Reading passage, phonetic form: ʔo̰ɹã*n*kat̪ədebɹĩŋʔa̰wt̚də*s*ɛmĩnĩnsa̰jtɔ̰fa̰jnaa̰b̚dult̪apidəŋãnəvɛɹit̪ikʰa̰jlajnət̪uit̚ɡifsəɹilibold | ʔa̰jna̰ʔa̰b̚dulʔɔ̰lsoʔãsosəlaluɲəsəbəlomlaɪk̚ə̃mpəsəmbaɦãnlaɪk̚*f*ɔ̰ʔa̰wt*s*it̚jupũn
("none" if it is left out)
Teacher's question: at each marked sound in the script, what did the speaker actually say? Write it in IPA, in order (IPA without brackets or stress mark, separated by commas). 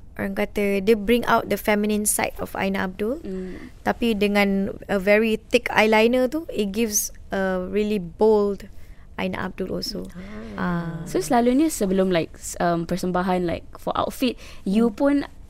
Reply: ŋ, f, f, f